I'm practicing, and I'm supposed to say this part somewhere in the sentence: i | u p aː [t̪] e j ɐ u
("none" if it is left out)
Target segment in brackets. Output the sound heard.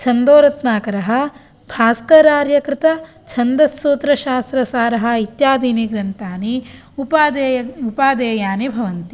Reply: d̪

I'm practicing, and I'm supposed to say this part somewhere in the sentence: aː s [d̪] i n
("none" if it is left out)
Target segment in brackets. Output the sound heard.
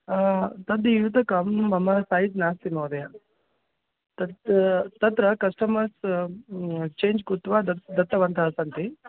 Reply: t̪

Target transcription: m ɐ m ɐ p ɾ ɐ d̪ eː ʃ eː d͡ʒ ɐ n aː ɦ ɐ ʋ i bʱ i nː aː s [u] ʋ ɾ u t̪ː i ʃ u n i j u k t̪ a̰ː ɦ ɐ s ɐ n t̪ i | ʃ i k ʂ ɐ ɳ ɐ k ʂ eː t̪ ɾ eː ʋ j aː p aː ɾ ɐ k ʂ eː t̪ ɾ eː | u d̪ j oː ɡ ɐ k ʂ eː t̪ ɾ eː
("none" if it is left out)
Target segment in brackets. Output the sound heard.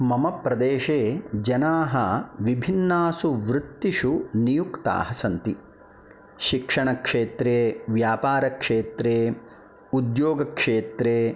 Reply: u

